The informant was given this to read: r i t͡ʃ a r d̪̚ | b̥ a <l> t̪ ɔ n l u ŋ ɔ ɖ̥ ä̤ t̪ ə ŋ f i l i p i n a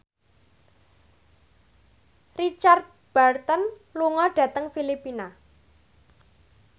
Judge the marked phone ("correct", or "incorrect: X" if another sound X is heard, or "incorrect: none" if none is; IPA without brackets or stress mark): incorrect: r